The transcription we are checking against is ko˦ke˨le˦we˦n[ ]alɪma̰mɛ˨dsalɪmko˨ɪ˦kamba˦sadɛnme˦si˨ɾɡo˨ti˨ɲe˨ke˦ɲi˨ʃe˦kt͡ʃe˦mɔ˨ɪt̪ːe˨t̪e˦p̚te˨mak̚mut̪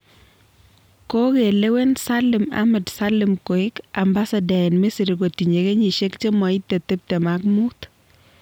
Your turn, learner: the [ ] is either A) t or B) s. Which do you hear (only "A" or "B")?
B